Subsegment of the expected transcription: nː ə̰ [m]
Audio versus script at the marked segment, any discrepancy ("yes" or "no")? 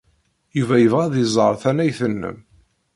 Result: no